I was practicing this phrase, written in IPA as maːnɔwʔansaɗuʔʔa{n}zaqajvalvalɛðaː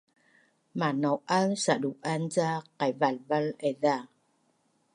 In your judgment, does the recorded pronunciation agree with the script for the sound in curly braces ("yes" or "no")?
yes